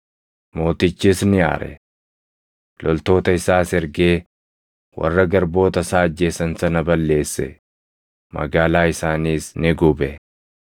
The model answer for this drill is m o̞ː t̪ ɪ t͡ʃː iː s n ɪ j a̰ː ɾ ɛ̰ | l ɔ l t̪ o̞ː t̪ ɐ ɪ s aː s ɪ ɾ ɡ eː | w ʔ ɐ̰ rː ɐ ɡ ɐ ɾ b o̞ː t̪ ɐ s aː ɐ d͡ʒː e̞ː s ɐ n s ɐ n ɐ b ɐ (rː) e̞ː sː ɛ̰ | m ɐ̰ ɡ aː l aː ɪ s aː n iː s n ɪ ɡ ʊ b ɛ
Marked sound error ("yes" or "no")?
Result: yes